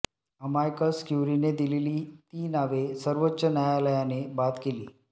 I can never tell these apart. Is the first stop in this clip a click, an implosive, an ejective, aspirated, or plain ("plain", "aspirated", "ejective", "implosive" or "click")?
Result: plain